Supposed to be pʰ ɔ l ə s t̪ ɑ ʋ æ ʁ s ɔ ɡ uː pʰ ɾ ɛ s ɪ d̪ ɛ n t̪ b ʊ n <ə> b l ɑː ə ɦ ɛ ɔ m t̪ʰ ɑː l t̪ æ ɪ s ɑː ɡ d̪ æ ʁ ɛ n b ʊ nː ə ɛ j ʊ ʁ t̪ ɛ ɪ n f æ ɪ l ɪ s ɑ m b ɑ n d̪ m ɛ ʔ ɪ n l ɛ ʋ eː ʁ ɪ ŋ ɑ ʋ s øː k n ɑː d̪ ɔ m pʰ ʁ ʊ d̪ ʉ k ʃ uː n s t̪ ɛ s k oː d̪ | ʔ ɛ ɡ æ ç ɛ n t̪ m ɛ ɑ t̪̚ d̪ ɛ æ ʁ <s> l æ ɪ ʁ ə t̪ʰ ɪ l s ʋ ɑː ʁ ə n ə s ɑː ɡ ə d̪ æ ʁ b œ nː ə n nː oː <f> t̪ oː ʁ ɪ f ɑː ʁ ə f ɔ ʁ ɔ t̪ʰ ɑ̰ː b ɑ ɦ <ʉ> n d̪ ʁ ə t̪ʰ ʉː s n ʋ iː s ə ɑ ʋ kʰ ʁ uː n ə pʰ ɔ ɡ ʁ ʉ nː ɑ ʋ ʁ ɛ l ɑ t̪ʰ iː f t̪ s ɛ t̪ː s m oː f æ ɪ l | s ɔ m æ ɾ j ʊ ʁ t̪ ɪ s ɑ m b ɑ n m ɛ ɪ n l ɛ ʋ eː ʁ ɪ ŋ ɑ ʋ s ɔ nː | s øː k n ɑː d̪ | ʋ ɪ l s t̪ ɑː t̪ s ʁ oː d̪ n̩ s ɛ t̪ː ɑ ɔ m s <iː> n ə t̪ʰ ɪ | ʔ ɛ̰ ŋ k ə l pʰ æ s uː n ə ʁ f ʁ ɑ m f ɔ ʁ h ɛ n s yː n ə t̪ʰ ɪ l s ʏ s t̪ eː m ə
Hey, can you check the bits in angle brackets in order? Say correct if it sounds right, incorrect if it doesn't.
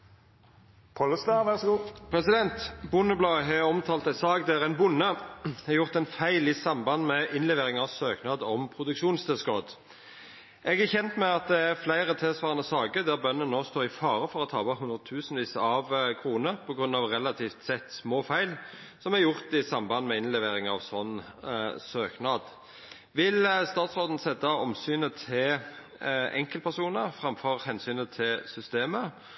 correct, incorrect: f, incorrect: s, correct, incorrect: yː

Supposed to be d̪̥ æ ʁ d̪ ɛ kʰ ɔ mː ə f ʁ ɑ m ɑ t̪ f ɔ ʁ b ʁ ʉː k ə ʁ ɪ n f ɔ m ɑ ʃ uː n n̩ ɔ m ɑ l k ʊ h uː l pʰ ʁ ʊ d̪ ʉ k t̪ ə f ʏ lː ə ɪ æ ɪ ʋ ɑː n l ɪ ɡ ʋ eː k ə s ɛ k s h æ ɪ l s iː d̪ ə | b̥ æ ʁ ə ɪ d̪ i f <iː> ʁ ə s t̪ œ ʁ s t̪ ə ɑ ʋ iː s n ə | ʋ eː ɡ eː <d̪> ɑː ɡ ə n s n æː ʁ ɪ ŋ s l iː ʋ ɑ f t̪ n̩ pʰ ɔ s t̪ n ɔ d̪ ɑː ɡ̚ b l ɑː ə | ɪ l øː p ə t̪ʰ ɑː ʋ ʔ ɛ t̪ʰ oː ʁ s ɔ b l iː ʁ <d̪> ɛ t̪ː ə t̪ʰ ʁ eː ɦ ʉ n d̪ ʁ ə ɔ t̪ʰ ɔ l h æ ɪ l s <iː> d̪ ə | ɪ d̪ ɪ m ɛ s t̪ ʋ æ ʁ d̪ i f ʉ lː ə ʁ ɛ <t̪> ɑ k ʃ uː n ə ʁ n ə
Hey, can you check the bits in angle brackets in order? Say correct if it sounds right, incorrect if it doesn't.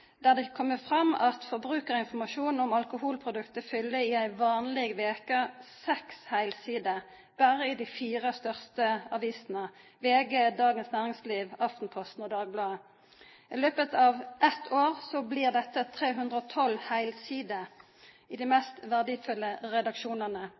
correct, correct, correct, correct, incorrect: d̪

